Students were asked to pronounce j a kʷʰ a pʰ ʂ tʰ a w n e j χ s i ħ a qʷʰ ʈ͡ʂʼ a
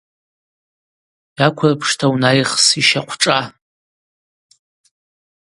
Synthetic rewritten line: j a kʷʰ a pʰ ʂ tʰ a w n a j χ s i ʃ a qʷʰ ʈ͡ʂʼ a